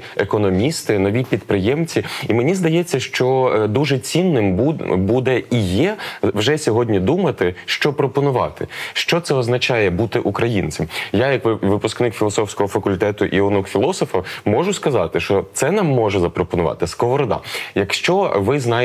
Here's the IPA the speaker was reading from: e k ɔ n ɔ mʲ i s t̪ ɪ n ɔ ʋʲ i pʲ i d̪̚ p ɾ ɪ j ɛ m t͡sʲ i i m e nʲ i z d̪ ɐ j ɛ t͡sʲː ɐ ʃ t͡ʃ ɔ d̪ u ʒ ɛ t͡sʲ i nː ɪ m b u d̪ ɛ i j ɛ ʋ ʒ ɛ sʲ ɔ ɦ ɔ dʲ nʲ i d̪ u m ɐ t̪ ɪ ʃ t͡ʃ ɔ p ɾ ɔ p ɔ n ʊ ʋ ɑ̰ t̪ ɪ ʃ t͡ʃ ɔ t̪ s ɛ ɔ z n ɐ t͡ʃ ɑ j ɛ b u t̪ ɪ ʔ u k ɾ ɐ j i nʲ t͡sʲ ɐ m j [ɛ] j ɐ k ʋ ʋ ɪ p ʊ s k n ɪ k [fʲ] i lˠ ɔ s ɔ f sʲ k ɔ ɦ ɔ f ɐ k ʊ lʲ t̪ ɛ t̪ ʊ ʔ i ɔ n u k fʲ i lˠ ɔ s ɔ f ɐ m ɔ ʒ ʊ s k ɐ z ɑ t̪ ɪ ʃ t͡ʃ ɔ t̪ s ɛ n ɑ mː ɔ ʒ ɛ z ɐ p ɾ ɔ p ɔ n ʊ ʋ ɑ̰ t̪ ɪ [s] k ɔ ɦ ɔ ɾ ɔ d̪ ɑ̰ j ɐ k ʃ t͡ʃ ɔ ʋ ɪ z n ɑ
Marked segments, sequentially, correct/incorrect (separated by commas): incorrect, correct, correct